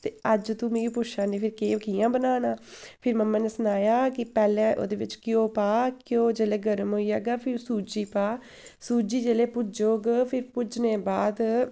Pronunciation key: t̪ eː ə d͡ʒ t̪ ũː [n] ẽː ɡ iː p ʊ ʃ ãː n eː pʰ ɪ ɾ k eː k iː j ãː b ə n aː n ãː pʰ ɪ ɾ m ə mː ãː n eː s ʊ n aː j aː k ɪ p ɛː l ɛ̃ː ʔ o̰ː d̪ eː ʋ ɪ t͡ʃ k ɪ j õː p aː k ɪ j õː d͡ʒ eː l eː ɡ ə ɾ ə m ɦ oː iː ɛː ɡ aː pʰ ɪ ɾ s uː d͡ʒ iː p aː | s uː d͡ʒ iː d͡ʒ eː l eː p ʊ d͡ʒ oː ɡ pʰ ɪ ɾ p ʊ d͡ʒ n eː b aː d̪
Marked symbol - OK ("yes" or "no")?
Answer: no